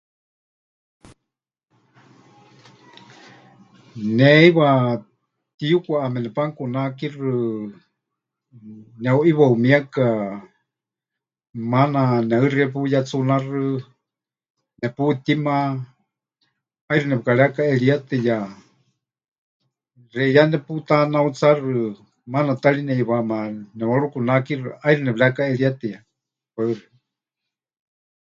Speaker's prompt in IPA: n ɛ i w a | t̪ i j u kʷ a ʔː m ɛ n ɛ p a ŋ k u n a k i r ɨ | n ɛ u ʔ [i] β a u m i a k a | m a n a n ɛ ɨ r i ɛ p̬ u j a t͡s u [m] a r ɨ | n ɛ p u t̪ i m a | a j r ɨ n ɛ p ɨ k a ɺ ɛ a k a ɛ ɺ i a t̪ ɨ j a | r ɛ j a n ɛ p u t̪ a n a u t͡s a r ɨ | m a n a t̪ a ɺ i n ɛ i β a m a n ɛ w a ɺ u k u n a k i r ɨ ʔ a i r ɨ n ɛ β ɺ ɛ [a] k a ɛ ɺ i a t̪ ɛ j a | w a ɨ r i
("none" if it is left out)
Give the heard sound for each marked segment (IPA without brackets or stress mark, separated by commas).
i, n, a